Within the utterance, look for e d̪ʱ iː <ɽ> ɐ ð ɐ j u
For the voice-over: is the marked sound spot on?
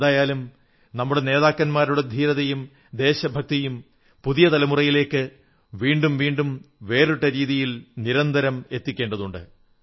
no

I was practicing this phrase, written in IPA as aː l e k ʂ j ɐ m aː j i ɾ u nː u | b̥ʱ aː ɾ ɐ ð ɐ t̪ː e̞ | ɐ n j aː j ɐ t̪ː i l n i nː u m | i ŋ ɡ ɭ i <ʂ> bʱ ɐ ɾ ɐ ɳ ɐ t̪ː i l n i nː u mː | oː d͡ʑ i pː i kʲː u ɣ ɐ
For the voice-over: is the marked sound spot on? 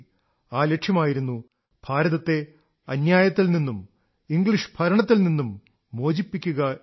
yes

